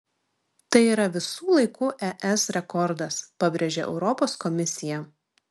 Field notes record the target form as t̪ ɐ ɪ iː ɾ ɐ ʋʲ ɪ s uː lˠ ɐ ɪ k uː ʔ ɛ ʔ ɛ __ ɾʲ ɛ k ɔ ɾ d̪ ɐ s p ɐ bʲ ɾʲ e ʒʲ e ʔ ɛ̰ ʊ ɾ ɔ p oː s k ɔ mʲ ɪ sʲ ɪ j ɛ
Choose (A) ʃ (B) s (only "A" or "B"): B